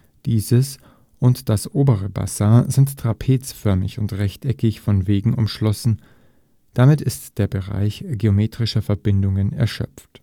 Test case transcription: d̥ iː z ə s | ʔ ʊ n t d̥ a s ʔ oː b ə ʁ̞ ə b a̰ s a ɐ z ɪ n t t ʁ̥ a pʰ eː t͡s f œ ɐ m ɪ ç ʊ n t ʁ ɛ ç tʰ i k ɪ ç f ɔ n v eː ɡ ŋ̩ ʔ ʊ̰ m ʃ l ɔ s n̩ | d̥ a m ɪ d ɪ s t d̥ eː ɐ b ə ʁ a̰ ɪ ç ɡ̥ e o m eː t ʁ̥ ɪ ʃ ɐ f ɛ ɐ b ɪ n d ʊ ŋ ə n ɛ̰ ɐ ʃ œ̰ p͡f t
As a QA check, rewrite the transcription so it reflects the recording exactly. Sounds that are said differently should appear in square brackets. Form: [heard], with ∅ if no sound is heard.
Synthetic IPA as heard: d̥ iː z ə s | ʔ ʊ n t d̥ a s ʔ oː b ə ʁ̞ ə b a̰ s a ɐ z ɪ n t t ʁ̥ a pʰ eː t͡s f œ ɐ m ɪ ç ʊ n t ʁ ɛ ç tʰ [ɛ] k ɪ ç f ɔ n v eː ɡ ŋ̩ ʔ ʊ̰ m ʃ l ɔ s n̩ | d̥ a m ɪ [t] ɪ s t d̥ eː ɐ b ə ʁ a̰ ɪ ç ɡ̥ e o m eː t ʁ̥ ɪ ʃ ɐ f ɛ ɐ b ɪ n d ʊ ŋ ə n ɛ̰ ɐ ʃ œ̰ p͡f t